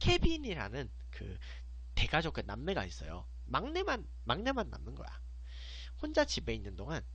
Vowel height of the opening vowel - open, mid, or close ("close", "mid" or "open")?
mid